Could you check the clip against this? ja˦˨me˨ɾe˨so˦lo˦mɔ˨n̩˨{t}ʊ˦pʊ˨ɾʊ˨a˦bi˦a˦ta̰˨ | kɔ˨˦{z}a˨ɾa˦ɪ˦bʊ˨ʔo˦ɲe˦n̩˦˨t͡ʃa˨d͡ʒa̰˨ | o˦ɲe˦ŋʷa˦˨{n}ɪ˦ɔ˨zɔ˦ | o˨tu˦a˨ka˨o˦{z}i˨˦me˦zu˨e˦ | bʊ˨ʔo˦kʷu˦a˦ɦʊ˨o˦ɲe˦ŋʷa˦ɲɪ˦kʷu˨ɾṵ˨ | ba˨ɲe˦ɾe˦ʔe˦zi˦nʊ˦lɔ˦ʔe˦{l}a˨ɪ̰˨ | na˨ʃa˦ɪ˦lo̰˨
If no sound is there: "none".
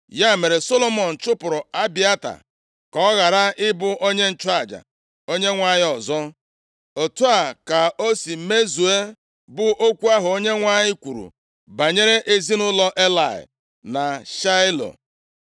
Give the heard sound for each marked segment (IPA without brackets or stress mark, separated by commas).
t͡ʃ, ɣ, ɲ, s, l